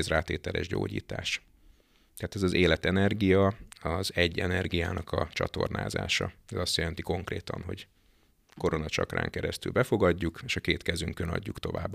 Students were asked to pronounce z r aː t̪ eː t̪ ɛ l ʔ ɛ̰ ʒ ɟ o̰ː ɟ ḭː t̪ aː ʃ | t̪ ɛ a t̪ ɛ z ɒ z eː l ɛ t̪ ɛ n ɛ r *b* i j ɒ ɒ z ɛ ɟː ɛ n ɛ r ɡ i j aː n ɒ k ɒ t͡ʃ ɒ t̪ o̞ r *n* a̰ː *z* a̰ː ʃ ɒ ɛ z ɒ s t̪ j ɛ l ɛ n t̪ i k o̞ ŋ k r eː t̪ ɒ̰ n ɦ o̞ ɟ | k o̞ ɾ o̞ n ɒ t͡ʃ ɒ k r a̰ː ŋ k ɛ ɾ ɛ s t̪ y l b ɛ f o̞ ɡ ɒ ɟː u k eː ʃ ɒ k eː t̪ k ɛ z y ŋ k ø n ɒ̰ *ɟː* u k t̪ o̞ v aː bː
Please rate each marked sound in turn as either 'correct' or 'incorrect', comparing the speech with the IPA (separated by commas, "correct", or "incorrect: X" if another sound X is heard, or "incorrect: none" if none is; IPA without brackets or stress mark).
incorrect: ɡ, correct, correct, correct